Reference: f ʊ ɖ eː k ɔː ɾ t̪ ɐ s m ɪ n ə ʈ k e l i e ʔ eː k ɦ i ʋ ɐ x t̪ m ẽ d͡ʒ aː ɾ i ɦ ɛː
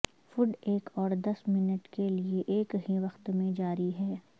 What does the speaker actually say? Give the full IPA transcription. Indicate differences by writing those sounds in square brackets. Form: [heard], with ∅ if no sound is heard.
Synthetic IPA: f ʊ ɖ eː k ɔː ɾ [d̪] ɐ s m ɪ n ə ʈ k e l i e ʔ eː k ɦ i ʋ ɐ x t̪ m ẽ d͡ʒ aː ɾ i ɦ ɛː